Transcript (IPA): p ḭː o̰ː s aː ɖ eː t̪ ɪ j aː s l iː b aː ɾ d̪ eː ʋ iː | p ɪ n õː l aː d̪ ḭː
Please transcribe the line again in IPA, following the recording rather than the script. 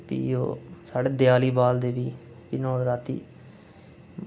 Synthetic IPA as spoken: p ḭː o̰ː s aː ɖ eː d̪ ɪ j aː l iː b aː l d̪ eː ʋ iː | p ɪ n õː ɾ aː t̪ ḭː